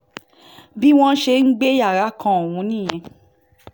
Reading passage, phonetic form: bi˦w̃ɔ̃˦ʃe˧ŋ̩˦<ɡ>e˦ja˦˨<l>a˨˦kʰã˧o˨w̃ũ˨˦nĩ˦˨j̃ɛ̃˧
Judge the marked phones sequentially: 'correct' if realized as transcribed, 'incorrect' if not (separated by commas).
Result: incorrect, incorrect